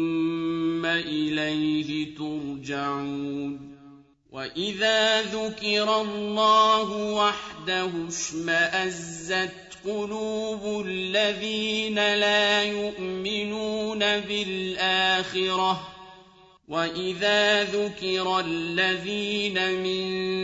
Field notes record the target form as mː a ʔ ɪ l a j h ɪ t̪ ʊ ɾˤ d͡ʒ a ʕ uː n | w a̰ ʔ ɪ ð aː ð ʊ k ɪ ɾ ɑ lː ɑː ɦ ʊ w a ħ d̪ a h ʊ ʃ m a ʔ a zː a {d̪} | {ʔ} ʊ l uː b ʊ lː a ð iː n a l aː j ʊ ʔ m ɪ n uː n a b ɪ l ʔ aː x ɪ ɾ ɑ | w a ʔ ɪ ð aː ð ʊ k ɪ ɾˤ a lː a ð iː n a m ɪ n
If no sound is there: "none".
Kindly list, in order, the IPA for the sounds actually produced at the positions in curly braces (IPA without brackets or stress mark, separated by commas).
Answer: t̪, q